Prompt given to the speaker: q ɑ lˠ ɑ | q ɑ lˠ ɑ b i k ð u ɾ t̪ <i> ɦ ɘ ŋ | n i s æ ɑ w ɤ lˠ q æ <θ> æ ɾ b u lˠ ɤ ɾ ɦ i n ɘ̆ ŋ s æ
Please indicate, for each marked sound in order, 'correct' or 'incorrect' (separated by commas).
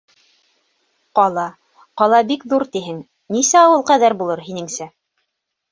correct, incorrect